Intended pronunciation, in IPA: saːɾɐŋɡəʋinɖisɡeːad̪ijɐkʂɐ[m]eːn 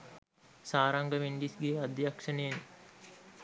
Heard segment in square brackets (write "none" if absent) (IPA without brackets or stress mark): n